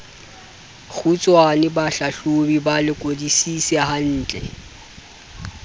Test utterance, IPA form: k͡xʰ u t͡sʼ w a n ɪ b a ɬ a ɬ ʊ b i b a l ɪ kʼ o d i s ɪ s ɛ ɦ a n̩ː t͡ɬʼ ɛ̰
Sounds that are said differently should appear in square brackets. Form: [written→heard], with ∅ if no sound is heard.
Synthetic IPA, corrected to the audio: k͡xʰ u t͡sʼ w a n ɪ b a ɬ a ɬ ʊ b i b a l ɪ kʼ o d i s [ɪ→i] s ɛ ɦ a n̩ː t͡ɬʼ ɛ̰

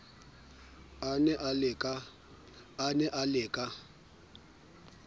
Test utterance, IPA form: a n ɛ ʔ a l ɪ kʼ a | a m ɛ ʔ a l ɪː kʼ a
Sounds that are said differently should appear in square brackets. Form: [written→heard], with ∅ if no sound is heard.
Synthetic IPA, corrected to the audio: a n ɛ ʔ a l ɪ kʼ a | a [m→n] ɛ ʔ a l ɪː kʼ a

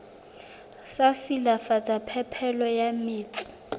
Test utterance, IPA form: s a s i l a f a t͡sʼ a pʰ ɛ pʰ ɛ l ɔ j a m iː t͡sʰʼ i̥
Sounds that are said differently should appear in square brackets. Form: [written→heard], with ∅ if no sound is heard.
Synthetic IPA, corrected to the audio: s a s i l a f a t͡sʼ a pʰ ɛ pʰ ɛ l ɔ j a m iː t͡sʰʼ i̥

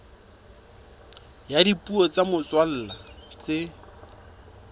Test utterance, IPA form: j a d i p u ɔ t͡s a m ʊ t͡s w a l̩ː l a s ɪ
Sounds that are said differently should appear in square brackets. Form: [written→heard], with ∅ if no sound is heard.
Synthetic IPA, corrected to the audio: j a d i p u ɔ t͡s a m ʊ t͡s w a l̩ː l a [s→t͡s] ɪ

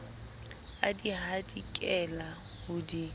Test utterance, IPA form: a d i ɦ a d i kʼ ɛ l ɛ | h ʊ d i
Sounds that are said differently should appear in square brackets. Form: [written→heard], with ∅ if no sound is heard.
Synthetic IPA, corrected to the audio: a d i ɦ a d i kʼ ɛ l [ɛ→a] | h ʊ d i

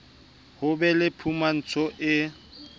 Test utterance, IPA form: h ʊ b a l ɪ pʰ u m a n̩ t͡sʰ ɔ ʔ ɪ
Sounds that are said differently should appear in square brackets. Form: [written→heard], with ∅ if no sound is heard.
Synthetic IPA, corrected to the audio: h ʊ b [a→ɛ] l ɪ pʰ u m a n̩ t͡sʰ ɔ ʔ ɪ

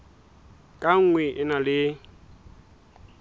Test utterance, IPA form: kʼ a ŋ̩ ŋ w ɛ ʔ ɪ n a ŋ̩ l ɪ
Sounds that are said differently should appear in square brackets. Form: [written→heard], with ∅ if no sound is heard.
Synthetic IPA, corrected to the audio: kʼ a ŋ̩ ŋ w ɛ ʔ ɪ n a [ŋ̩→∅] l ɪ

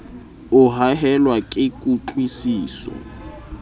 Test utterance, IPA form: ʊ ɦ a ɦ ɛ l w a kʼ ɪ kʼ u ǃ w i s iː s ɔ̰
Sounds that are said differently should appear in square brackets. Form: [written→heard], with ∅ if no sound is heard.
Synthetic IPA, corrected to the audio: ʊ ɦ a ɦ ɛ l w a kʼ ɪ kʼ u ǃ w i s iː s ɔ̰

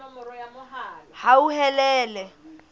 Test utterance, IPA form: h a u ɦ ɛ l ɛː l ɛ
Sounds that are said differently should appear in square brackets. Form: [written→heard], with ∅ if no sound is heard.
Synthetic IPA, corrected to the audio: h a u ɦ ɛ l ɛː l ɛ

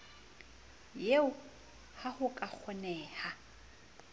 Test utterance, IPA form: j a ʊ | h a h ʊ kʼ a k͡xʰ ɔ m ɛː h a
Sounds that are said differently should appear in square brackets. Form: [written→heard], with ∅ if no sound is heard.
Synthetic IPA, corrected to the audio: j [a→e] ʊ | h a h ʊ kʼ a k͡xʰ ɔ [m→n] ɛː h a

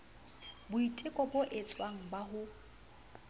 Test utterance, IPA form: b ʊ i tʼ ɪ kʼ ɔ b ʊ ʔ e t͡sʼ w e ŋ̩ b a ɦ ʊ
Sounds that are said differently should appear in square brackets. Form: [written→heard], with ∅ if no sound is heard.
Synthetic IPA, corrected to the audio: b ʊ i tʼ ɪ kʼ ɔ b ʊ ʔ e t͡sʼ w [e→a] ŋ̩ b a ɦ ʊ

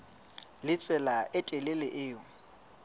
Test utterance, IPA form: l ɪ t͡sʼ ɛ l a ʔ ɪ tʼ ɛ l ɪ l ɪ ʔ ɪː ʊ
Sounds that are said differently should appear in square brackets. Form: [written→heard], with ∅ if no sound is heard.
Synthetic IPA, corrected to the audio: l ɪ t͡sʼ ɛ l a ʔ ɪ tʼ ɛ l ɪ l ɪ ʔ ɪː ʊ

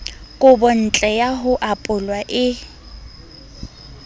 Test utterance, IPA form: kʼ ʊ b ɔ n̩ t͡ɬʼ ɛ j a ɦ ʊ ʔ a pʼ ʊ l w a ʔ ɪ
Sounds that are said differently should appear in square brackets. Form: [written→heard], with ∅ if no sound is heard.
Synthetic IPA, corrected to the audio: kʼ ʊ b ɔ n̩ t͡ɬʼ ɛ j a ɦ ʊ ʔ a pʼ ʊ l w a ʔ ɪ

